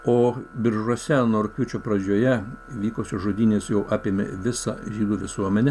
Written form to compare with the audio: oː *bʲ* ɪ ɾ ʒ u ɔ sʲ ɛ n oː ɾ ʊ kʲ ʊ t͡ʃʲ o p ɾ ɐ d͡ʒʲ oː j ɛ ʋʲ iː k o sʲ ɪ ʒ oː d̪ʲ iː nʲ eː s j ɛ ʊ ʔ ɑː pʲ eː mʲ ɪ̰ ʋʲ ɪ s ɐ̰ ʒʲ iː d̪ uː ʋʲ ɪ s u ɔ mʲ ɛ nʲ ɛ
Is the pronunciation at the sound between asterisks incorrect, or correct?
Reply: correct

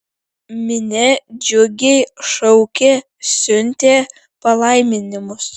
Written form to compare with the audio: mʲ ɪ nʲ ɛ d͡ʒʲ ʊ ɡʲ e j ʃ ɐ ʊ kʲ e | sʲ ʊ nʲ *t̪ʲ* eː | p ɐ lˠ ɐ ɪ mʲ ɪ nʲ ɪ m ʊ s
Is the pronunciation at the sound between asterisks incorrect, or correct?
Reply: correct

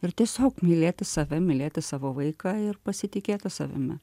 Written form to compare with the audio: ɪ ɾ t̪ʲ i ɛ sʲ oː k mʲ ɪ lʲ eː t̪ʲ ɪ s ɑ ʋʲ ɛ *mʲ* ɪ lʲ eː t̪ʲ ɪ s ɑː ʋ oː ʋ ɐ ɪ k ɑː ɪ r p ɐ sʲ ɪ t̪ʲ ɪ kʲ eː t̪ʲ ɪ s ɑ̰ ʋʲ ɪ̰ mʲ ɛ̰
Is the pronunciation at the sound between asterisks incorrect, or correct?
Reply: correct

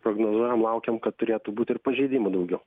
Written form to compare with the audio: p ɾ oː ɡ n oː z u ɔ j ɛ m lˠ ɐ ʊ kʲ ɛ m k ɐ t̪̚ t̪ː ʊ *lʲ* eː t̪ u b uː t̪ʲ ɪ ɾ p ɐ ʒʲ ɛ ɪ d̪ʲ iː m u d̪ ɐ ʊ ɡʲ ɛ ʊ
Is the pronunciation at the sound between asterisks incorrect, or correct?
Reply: incorrect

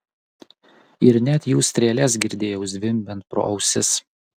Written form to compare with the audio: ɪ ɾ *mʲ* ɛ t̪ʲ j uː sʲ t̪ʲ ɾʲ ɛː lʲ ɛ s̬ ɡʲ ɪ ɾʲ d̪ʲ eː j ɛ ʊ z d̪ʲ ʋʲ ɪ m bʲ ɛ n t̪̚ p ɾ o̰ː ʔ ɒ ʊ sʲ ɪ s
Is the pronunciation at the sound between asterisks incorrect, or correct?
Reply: incorrect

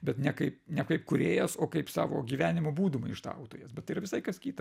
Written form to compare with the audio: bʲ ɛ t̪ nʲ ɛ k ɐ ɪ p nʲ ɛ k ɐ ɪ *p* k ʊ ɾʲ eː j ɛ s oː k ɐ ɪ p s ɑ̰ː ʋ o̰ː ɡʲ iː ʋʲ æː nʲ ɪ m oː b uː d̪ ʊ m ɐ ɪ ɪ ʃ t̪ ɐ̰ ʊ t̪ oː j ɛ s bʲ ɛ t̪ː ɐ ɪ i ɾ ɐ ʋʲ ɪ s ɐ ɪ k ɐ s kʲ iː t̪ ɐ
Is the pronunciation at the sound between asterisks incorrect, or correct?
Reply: correct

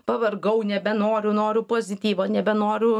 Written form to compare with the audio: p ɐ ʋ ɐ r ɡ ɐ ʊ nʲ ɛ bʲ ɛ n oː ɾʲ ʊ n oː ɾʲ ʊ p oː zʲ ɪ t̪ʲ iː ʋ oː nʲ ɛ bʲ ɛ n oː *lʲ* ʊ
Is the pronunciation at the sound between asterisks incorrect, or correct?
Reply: incorrect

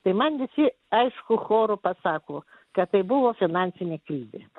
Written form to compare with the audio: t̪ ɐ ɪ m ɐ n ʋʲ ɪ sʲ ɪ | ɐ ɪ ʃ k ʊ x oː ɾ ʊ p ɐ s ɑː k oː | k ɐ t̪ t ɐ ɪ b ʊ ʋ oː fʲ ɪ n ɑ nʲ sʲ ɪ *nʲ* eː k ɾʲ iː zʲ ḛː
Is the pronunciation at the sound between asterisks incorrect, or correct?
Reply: correct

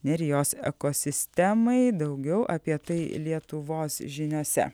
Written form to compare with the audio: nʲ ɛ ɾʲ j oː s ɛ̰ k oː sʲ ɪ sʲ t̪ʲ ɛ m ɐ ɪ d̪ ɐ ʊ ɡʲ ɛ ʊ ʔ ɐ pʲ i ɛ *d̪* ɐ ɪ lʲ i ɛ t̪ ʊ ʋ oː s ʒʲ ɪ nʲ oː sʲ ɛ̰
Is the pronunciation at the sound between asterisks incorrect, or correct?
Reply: incorrect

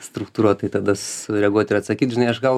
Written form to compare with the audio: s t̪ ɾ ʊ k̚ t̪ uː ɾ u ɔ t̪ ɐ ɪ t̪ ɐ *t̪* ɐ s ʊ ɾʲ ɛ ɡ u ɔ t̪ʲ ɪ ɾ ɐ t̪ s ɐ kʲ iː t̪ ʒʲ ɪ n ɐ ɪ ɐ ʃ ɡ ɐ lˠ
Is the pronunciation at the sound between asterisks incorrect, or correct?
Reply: incorrect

